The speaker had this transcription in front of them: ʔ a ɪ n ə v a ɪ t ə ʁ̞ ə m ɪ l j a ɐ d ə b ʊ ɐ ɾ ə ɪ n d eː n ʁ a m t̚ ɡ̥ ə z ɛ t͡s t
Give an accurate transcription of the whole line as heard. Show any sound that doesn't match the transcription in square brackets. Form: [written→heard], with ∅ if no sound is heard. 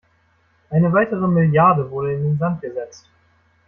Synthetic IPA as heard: ʔ a ɪ n ə v a ɪ t ə ʁ̞ ə m ɪ l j a ɐ d ə [b→v] ʊ ɐ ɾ ə ɪ n d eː n [ʁ→z] a [m→n] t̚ ɡ̥ ə z ɛ t͡s t